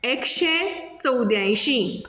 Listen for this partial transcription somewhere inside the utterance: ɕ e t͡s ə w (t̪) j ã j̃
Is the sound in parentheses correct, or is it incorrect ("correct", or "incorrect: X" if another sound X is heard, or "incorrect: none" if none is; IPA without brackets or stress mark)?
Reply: incorrect: d̪